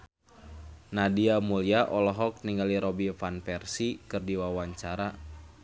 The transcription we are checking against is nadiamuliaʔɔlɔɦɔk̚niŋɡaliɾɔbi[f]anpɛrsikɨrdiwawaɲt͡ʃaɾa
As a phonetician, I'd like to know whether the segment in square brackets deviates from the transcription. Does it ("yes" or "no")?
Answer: no